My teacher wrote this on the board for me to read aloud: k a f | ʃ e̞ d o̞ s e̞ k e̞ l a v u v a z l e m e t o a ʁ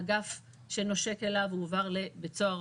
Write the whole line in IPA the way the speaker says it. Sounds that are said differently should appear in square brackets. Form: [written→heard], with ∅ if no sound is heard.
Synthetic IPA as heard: [k→ɡ] a f | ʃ e̞ [d→n] o̞ [s→ʃ] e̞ k e̞ l a v u v a [z→ʁ] l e [m→b] e [t→t͡s] o a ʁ